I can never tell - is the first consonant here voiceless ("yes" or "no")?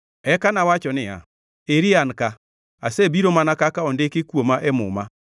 yes